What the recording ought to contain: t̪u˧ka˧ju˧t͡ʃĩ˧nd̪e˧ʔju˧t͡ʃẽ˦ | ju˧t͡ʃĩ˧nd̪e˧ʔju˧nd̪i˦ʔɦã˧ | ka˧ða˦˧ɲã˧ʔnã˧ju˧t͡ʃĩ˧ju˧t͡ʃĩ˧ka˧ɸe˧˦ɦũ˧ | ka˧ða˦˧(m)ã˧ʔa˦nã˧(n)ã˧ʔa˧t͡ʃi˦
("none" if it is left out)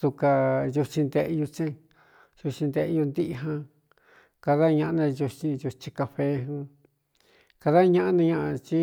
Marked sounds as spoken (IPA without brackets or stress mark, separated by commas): ɲ, ɲ